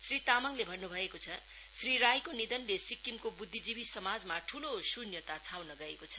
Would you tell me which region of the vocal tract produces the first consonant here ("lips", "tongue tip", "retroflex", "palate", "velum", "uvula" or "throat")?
tongue tip